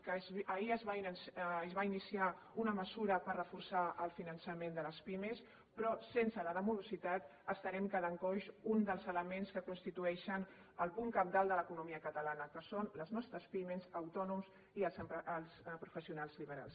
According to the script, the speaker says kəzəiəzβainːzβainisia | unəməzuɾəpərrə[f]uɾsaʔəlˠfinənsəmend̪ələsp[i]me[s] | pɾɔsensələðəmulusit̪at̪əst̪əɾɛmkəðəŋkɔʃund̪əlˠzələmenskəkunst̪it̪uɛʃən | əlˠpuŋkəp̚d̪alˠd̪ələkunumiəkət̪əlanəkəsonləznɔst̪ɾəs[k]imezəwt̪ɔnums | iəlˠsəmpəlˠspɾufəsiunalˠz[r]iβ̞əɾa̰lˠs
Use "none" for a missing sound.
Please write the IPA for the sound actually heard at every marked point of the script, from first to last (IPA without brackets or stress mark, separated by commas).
f, i, s, p, l